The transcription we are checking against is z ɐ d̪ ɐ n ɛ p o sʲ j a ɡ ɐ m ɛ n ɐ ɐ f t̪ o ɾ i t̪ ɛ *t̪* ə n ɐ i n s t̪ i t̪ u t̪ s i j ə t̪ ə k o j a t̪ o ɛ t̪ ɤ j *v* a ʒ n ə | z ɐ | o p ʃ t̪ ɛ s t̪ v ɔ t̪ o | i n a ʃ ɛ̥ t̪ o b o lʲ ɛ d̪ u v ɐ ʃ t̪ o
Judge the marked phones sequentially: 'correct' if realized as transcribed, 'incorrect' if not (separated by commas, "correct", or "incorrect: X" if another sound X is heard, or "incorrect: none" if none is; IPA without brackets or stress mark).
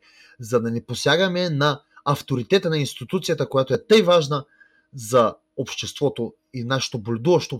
correct, correct